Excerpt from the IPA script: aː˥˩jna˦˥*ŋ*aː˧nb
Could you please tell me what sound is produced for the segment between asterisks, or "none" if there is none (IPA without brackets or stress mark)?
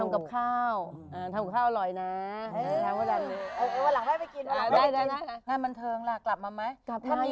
ŋ